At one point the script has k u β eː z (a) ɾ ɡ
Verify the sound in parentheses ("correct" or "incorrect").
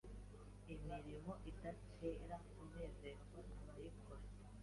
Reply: incorrect